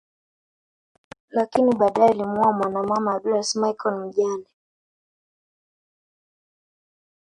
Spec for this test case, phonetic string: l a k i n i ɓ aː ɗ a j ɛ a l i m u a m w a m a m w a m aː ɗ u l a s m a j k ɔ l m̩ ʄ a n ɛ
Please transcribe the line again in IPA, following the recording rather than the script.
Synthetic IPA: l a k i n i ɓ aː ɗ a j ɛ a l i m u a m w a n a m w a m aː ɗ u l a s m a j k ɔ l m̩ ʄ a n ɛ